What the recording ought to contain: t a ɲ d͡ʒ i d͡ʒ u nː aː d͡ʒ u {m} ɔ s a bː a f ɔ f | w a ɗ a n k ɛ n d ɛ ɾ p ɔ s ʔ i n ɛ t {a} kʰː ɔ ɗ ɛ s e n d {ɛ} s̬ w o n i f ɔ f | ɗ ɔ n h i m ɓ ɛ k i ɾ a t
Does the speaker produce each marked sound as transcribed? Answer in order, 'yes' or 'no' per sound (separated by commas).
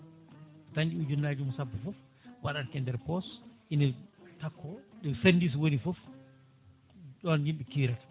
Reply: yes, yes, no